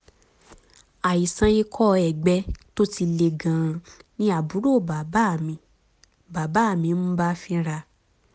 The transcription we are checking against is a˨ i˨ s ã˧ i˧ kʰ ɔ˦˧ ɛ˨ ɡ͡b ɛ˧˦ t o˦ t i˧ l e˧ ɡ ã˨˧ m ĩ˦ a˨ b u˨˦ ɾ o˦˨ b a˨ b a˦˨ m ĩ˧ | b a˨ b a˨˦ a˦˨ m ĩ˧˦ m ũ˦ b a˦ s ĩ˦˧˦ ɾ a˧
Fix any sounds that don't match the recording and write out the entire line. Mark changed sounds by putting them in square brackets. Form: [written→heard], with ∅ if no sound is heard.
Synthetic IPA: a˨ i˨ s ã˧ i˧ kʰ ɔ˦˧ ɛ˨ ɡ͡b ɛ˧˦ t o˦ t i˧ l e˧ ɡ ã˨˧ [m→n] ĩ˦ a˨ b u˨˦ ɾ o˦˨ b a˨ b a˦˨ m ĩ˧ | b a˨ b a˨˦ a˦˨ m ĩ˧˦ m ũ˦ b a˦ [s→f] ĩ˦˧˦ ɾ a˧